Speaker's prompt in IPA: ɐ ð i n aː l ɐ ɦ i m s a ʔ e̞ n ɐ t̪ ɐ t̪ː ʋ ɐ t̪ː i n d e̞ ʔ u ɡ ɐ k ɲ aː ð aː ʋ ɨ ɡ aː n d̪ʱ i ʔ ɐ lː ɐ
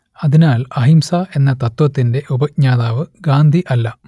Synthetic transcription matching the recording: ɐ ð i n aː l ɐ ɦ i m s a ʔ e̞ nː ɐ t̪ ɐ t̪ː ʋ ɐ t̪ː i n d e̞ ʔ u b ɐ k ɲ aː ð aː ʋ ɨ ɡ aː n d̪ʱ i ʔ ɐ lː ɐ